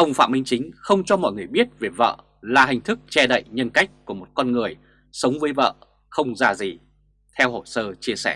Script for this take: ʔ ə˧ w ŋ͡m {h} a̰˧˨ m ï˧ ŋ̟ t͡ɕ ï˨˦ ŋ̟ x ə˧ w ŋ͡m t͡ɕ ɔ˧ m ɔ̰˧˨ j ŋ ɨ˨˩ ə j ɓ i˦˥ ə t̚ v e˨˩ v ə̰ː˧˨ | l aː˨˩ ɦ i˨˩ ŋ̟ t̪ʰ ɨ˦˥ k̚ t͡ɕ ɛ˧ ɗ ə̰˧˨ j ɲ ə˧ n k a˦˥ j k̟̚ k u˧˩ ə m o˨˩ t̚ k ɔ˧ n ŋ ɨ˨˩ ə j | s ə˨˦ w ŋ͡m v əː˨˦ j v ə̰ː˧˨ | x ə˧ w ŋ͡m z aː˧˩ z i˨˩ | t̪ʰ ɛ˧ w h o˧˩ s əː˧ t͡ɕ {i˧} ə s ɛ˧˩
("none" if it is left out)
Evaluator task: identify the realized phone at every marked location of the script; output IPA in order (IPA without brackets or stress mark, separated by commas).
f, i˧